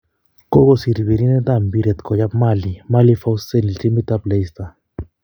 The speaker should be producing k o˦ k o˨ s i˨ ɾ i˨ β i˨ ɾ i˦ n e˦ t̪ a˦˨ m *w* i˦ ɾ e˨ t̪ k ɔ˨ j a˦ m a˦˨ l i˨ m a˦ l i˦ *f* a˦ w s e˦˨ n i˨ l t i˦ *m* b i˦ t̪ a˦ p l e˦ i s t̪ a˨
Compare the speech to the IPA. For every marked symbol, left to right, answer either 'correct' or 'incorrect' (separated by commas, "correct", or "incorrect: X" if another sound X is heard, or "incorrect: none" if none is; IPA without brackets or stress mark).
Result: incorrect: b, correct, correct